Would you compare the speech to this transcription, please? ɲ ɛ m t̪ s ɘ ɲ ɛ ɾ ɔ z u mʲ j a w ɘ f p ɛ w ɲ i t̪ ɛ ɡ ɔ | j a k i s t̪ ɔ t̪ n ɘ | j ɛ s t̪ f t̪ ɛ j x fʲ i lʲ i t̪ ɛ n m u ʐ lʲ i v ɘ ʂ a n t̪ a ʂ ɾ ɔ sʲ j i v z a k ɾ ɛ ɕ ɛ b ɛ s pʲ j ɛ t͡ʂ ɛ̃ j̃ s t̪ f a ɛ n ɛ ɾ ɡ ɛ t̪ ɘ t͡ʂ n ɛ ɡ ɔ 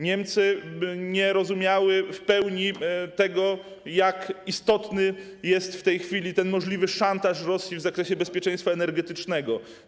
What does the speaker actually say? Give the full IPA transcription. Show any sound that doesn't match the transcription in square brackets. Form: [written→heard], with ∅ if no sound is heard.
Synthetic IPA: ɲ ɛ m t̪ s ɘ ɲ ɛ ɾ ɔ z u mʲ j a w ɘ f p ɛ w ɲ i t̪ ɛ ɡ ɔ | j a k i s t̪ ɔ t̪ n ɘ | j ɛ s t̪ f t̪ ɛ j x fʲ i lʲ i t̪ ɛ n m [u→ɔ] ʐ lʲ i v ɘ ʂ a n t̪ a ʂ ɾ ɔ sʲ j i v z a k ɾ ɛ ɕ ɛ b ɛ s pʲ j ɛ t͡ʂ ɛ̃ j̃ s t̪ f a ɛ n ɛ ɾ ɡ ɛ t̪ ɘ t͡ʂ n ɛ ɡ ɔ